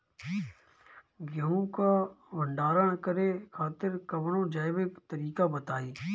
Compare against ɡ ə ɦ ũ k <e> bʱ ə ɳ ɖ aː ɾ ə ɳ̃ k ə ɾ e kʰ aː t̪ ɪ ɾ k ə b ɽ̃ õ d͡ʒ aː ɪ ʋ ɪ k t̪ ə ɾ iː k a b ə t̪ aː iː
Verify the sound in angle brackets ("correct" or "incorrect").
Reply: incorrect